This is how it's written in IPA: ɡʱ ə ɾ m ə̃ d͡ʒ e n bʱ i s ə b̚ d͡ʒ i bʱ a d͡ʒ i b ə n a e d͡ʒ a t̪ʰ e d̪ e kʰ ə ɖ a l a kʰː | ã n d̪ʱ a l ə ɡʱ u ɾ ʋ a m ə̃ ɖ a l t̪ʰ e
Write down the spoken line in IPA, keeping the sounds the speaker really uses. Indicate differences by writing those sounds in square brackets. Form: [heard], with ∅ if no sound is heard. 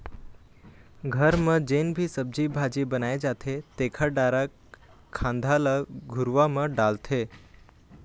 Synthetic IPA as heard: ɡʱ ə ɾ m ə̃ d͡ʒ e n bʱ i s ə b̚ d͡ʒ i bʱ a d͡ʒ i b ə n a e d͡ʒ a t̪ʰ e [t̪] e kʰ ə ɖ a [ɾ] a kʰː | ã n d̪ʱ a l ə ɡʱ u ɾ ʋ a m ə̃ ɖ a l t̪ʰ e